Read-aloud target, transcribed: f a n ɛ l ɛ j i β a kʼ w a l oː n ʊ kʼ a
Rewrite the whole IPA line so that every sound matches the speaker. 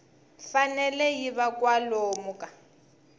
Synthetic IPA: f a n ɛ l ɛ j i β a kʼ w a l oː m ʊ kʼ a